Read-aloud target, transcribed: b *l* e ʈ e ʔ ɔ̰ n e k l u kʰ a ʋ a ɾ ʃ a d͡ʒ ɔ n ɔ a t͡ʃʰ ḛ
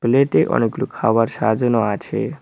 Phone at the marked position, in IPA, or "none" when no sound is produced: l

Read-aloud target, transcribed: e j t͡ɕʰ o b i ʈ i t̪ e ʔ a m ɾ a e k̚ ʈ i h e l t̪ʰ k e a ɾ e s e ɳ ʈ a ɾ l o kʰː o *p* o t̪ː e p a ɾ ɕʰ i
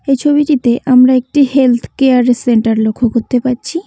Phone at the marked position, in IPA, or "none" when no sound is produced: k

